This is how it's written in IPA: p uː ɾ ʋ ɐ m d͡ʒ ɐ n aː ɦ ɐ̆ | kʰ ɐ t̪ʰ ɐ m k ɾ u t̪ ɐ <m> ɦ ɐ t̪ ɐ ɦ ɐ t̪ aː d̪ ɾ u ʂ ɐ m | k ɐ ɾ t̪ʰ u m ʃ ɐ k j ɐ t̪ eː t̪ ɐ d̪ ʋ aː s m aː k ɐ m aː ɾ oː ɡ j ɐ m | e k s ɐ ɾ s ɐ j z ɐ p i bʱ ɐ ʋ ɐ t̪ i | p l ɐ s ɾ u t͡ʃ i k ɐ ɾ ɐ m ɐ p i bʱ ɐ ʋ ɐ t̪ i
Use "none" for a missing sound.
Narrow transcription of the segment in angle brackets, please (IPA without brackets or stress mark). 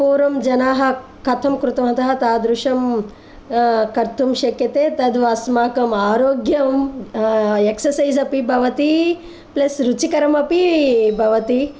m